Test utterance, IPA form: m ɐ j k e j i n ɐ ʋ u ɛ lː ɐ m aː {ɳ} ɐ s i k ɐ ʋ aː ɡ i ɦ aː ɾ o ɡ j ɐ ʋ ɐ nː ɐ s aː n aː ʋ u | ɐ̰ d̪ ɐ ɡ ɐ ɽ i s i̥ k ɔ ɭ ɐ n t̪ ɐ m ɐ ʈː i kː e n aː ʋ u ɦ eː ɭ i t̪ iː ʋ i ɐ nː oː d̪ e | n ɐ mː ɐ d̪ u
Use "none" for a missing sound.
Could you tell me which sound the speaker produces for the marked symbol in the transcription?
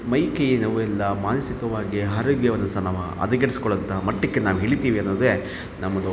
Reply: n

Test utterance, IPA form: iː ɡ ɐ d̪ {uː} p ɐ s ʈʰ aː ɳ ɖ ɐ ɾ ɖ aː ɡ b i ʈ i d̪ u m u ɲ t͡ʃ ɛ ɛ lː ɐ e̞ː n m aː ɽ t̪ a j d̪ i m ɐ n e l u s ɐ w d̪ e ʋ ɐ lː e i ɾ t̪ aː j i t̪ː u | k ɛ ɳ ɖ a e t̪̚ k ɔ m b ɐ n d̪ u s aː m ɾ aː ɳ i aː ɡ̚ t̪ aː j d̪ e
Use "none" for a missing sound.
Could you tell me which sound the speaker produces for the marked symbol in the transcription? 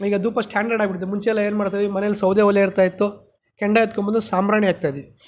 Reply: uː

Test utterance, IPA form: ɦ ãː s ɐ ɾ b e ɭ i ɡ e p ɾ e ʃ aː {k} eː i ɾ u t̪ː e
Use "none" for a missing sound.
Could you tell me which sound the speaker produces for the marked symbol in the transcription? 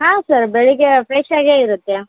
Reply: ɡ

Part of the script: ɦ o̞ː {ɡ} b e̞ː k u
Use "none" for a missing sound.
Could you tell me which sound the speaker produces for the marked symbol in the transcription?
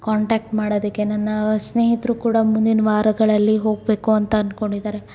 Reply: ɡ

